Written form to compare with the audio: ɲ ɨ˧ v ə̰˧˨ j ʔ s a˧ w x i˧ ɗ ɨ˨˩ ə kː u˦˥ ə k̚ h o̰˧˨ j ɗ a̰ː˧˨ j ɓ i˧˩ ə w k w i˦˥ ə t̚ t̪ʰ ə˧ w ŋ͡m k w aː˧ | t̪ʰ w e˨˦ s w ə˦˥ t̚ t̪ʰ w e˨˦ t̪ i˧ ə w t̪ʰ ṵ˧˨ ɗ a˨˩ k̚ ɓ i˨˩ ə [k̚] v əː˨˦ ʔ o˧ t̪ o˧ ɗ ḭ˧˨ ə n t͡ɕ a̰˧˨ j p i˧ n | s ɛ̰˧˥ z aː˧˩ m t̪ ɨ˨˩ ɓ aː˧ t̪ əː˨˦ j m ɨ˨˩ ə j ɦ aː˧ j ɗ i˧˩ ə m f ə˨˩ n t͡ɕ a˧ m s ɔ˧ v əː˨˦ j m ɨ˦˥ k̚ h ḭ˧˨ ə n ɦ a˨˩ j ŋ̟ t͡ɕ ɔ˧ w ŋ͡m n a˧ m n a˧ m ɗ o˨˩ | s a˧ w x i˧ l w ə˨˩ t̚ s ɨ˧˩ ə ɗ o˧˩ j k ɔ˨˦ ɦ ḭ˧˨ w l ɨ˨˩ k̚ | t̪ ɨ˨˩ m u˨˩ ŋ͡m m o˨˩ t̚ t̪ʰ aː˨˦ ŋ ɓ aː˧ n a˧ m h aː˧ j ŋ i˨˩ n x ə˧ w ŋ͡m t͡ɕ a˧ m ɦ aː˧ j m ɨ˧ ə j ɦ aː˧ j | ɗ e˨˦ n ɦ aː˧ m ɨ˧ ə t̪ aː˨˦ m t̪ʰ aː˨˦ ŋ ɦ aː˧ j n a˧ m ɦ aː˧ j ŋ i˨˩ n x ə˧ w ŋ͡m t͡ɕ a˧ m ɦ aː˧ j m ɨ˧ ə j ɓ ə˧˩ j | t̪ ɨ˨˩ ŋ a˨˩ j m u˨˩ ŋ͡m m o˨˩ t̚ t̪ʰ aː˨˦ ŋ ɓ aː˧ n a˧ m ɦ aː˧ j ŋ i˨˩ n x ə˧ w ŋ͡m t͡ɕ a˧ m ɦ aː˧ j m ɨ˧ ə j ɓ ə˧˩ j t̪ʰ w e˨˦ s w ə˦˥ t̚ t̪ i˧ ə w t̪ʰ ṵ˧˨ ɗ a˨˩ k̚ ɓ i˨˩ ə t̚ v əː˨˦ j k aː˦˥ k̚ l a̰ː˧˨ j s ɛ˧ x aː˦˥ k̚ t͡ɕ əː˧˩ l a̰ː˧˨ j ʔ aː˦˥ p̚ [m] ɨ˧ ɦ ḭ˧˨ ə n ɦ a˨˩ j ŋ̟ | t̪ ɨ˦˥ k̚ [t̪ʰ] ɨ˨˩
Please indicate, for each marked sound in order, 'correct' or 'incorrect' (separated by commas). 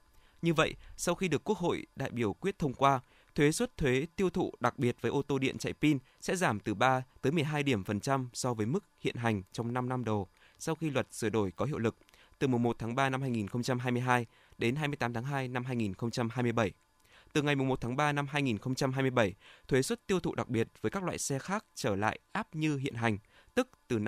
incorrect, incorrect, incorrect